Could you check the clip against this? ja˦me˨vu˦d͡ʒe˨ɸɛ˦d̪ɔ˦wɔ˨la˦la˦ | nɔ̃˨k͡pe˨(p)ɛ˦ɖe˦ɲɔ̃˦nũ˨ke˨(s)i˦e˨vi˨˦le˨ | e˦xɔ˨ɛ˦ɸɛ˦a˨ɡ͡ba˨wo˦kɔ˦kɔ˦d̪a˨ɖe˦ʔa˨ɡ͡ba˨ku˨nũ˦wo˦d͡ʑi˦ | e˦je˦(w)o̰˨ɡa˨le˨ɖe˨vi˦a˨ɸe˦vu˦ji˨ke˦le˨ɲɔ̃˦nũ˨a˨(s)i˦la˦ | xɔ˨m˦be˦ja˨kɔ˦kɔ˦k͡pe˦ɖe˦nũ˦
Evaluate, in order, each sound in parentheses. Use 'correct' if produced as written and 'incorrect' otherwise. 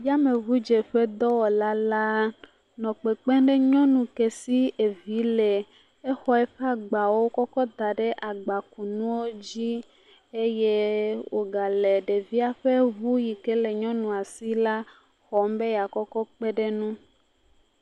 incorrect, correct, correct, correct

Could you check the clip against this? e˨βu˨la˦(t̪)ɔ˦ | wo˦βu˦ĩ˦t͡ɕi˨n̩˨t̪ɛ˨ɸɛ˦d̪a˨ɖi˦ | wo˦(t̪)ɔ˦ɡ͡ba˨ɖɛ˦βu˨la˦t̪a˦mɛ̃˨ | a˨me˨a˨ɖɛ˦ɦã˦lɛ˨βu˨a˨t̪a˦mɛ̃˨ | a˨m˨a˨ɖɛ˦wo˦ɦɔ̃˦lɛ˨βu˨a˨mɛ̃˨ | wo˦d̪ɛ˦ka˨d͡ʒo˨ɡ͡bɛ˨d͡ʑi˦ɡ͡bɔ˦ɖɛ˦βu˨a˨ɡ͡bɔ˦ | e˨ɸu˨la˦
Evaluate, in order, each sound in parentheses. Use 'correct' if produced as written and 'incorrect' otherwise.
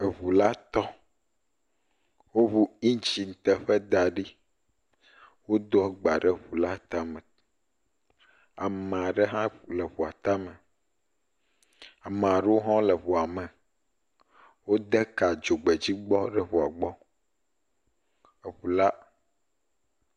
correct, incorrect

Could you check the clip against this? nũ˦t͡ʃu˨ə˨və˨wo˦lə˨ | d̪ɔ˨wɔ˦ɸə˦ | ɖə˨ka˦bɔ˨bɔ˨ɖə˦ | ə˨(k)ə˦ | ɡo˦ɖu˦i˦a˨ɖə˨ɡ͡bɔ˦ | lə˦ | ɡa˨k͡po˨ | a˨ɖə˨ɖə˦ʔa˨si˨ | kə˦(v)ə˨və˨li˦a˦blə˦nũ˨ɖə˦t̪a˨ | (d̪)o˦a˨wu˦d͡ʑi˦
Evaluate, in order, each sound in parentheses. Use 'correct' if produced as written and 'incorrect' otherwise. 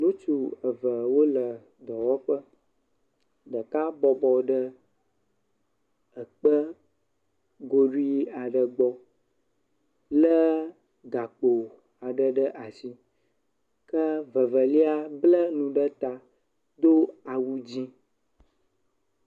incorrect, correct, correct

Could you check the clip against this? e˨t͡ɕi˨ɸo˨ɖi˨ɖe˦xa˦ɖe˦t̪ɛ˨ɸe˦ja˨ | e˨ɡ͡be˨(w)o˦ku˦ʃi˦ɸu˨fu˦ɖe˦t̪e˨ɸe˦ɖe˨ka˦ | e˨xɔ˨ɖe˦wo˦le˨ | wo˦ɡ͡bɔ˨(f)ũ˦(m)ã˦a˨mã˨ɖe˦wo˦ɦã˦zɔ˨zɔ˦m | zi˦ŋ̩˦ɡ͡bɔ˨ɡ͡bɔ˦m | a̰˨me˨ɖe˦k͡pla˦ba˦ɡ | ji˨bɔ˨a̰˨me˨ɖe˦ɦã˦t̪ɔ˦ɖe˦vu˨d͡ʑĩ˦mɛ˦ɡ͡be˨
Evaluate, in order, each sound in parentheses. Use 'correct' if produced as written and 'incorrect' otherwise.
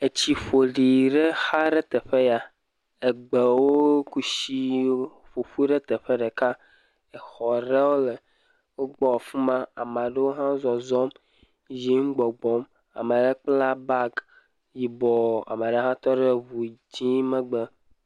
correct, correct, correct

